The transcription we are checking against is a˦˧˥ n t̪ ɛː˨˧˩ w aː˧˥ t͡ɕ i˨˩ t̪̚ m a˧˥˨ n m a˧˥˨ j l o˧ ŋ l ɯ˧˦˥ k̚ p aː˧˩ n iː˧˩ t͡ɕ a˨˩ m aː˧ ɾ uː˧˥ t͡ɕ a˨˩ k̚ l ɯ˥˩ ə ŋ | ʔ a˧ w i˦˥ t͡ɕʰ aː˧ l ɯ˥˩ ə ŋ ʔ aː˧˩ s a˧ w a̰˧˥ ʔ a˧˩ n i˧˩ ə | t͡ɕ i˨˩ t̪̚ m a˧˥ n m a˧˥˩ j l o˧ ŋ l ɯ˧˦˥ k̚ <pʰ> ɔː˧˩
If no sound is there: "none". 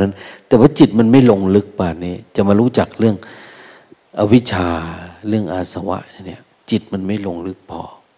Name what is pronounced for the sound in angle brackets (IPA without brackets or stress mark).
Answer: pʰ